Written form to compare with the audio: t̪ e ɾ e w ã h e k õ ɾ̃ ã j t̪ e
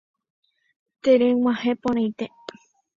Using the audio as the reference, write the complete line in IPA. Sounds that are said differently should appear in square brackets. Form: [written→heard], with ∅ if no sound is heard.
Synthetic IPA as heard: t̪ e ɾ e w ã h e [k→p] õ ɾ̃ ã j t̪ e